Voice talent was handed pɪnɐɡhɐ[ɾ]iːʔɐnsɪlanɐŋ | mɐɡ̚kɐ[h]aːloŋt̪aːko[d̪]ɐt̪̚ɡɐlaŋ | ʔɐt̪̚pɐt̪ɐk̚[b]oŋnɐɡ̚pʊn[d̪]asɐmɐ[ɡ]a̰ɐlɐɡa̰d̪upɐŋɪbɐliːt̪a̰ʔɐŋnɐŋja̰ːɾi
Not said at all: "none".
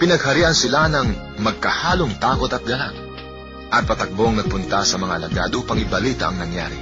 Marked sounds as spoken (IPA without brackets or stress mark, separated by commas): ɾ, h, t̪, b, t̪, ŋ